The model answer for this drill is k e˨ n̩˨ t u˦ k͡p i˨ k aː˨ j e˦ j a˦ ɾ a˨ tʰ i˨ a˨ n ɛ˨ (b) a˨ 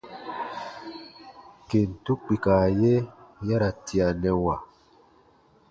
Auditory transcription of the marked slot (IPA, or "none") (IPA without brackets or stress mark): w